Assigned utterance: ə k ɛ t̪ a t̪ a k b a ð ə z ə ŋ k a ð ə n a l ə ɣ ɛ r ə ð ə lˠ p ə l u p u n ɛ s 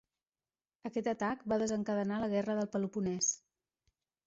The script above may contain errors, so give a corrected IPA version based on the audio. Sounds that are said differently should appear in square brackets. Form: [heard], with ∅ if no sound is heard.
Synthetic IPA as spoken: ə k ɛ t̪ [ə] t̪ a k b a ð ə z ə ŋ k [ə] ð ə n a l ə ɣ ɛ r ə ð ə lˠ p ə l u p u n ɛ s